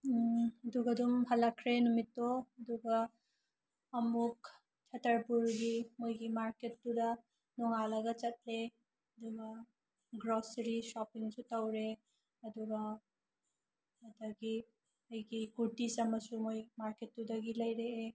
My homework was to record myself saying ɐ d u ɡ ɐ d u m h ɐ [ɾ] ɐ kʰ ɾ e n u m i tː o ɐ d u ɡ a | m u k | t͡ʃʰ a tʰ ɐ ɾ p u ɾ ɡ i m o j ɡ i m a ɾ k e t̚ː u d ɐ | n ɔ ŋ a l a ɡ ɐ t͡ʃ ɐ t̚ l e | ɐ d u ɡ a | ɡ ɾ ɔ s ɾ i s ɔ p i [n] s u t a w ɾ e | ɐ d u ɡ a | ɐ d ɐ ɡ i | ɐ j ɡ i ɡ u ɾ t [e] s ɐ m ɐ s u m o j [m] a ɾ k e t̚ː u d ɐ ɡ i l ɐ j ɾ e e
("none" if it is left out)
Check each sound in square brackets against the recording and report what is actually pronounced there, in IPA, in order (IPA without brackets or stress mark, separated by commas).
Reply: l, ŋ, i, m